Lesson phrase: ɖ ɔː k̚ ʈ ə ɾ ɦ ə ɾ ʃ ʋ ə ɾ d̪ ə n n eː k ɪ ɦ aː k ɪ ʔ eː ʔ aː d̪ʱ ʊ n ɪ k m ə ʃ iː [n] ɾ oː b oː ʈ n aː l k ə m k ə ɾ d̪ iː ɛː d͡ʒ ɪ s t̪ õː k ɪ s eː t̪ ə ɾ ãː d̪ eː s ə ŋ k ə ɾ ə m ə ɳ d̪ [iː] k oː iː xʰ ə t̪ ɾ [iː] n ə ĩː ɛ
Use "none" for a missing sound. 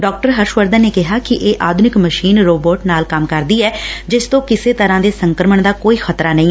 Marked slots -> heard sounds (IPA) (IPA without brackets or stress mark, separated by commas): n, aː, aː